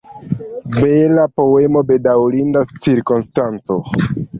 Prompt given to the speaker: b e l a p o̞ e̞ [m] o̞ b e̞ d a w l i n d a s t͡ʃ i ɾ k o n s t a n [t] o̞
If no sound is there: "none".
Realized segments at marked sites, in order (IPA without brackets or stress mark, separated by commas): m, t͡s